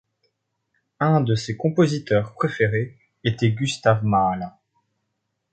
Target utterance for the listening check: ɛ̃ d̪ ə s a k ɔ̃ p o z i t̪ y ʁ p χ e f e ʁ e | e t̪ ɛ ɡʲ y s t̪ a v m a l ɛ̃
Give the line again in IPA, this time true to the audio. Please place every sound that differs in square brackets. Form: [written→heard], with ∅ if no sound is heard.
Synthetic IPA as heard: ɛ̃ d̪ ə s [a→e] k ɔ̃ p o z i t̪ [y→œ] ʁ p χ e f e ʁ e | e t̪ ɛ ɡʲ y s t̪ a v m a l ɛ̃